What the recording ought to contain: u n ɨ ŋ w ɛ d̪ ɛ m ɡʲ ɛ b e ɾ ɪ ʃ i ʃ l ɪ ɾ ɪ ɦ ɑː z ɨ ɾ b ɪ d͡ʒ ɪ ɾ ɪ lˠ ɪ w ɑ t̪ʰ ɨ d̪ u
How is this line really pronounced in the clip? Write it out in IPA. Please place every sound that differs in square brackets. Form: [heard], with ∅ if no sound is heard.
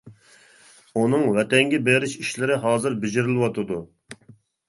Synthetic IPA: u n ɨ ŋ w ɛ [t̪] ɛ [ŋ] ɡʲ ɛ b e ɾ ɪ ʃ i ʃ l ɪ ɾ ɪ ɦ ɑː z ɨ ɾ b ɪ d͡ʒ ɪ ɾ ɪ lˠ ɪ w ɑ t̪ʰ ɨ d̪ u